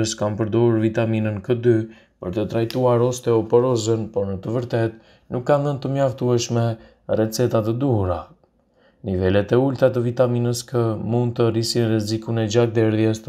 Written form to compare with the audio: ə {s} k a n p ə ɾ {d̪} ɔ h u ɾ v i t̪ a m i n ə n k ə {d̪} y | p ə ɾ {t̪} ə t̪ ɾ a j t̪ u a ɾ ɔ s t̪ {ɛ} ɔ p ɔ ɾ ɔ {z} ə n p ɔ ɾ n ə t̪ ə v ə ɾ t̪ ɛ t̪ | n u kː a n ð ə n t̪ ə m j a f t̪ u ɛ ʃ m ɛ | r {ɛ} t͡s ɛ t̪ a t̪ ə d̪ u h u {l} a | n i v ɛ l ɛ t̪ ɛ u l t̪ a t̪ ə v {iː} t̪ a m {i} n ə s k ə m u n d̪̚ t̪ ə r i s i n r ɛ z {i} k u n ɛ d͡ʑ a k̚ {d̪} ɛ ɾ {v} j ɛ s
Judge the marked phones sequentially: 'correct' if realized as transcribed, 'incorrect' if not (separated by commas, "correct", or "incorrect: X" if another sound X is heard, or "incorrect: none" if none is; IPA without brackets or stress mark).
correct, correct, correct, correct, correct, correct, correct, incorrect: ɾ, incorrect: i, correct, correct, correct, incorrect: ð